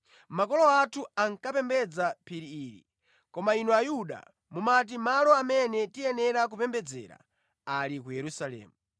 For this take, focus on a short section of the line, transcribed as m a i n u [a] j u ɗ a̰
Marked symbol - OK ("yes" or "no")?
yes